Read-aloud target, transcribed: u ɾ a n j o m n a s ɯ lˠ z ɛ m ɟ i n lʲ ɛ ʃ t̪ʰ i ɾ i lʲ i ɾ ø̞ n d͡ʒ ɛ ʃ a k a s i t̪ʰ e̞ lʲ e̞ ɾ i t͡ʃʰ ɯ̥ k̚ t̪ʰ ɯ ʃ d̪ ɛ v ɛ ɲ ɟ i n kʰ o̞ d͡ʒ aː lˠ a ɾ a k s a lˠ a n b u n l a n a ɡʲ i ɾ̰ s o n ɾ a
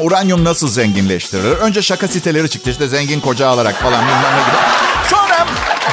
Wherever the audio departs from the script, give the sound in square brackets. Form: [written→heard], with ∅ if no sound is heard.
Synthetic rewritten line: u ɾ a n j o m n a s ɯ lˠ z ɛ [m→ɲ] ɟ i n lʲ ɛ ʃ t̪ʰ i ɾ i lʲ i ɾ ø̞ n d͡ʒ ɛ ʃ a k a s i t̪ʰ e̞ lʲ e̞ ɾ i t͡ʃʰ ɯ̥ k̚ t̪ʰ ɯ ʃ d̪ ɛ [v→z] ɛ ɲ ɟ i n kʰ o̞ d͡ʒ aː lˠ a ɾ a k [s→f] a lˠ a n b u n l a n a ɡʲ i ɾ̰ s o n ɾ a